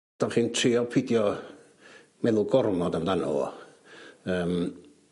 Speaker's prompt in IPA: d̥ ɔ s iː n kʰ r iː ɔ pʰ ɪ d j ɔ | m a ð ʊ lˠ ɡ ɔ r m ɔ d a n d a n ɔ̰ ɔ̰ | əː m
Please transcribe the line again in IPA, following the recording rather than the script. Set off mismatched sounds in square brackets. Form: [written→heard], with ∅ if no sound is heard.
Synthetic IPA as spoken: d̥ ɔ [s→χ] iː n [kʰ→tʰ] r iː ɔ pʰ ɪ d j ɔ | m [a→ɛ] ð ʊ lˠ ɡ ɔ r m ɔ d a [n→m] d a n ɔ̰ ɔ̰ | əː m